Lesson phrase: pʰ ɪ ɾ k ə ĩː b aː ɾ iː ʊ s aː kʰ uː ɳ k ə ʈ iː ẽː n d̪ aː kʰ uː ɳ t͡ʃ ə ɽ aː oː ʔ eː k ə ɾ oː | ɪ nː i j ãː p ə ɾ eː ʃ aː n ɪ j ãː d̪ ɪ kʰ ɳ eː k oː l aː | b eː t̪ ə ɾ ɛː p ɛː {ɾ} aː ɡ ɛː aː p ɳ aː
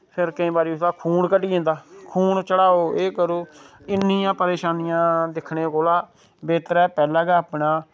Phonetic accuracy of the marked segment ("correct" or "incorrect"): incorrect